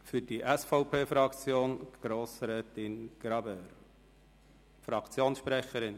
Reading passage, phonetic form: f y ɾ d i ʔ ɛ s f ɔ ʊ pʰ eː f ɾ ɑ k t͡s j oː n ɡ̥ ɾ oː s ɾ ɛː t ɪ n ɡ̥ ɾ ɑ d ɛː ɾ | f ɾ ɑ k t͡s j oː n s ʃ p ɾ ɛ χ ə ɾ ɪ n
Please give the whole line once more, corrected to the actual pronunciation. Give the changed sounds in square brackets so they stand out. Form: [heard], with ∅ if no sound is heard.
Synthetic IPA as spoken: f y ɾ d i ʔ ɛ s f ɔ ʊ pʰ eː f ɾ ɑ k t͡s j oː n ɡ̥ ɾ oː s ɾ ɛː t ɪ n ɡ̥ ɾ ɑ [b] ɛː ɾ | f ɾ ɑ k t͡s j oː n s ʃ p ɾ ɛ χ ə ɾ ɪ n